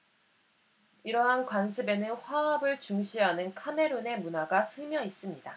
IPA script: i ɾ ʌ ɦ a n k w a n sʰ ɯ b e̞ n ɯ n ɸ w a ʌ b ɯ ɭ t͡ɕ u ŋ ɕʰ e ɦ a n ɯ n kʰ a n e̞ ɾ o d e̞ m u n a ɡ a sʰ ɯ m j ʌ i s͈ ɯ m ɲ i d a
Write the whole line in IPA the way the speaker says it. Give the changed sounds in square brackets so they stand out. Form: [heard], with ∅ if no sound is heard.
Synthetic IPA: i ɾ ʌ ɦ a n k w a n sʰ ɯ b e̞ n ɯ n ɸ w a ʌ b ɯ ɭ t͡ɕ u ŋ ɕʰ [i] ɦ a n ɯ n kʰ a [m] e̞ ɾ o [n] e̞ m u n a ɡ a sʰ ɯ m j ʌ i s͈ ɯ m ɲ i d a